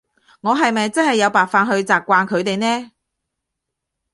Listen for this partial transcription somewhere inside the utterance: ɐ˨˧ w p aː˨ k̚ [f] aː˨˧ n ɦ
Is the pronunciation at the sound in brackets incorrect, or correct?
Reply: correct